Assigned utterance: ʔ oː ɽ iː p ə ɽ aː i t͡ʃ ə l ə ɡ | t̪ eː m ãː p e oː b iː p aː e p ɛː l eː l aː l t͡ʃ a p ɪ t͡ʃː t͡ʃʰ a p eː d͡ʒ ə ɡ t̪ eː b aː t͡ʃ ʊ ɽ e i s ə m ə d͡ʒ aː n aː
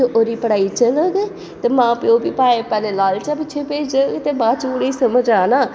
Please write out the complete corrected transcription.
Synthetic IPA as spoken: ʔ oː ɾ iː p ə ɽ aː i t͡ʃ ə l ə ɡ | t̪ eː m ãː p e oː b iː p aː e p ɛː l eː l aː l t͡ʃ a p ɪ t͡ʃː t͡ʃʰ e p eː d͡ʒ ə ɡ t̪ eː b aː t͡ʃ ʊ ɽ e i s ə m ə d͡ʒ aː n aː

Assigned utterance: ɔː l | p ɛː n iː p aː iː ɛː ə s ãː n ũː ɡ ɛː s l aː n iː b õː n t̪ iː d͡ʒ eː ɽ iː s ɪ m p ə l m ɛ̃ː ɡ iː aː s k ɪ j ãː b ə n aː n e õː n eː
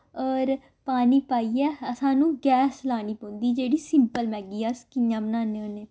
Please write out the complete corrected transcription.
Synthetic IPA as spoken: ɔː ɾ | p aː n iː p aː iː ɛː ə s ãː n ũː ɡ ɛː s l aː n iː p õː n d̪ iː d͡ʒ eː ɽ iː s ɪ m p ə l m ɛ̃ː ɡ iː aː s k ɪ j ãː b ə n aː n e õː n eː

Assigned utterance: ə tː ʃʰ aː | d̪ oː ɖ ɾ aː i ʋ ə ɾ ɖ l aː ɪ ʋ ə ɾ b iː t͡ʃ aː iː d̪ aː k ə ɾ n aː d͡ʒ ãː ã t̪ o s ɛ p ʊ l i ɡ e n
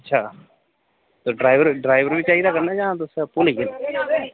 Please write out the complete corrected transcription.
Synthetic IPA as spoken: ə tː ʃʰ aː | t̪ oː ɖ ɾ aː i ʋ ə ɾ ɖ ɾ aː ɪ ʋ ə ɾ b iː t͡ʃ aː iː d̪ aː k ə ɾ n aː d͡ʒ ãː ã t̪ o s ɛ p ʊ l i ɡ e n

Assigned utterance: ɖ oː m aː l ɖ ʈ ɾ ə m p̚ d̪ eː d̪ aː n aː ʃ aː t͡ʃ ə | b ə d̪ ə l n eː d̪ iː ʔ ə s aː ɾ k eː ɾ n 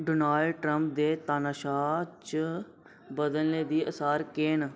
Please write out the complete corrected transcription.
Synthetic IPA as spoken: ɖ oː n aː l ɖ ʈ ɾ ə m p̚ d̪ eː t̪ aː n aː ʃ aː t͡ʃ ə | b ə d̪ ə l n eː d̪ iː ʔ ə s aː ɾ k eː n

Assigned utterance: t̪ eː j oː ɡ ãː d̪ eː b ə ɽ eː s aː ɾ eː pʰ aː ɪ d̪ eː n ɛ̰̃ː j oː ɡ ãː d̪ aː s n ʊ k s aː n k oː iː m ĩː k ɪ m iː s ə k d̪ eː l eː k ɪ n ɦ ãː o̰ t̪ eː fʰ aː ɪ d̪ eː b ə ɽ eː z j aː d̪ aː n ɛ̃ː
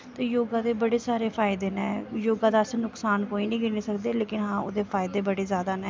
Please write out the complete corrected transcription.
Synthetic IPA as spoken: t̪ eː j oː ɡ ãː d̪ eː b ə ɽ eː s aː ɾ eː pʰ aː ɪ d̪ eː n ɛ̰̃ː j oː ɡ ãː d̪ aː s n ʊ k s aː n k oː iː n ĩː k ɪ n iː s ə k d̪ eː l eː k ɪ n ɦ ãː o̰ d̪ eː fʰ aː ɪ d̪ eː b ə ɽ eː z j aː d̪ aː n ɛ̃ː

